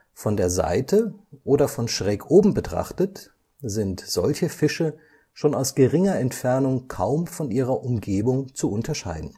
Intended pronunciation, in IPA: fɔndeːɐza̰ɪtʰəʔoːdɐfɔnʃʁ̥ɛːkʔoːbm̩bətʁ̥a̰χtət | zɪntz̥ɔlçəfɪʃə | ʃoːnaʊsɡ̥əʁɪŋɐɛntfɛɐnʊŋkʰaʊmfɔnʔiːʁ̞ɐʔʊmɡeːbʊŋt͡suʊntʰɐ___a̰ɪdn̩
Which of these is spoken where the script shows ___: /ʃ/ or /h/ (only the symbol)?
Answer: ʃ